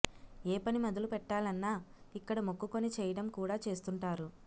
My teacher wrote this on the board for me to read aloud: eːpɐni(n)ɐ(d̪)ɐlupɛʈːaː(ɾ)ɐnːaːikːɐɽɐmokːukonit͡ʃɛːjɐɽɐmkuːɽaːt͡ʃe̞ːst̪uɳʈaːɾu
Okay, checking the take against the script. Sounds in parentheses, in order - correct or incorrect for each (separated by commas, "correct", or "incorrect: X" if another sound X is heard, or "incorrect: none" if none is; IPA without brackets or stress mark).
incorrect: m, correct, incorrect: l